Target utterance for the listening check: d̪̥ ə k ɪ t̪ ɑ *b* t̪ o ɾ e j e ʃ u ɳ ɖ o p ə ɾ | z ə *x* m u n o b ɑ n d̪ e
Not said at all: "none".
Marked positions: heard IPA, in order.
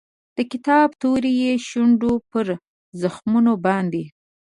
b, x

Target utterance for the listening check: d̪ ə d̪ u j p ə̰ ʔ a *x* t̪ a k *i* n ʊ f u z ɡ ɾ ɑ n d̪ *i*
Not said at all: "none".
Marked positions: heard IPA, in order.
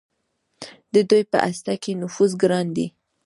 s, e, i

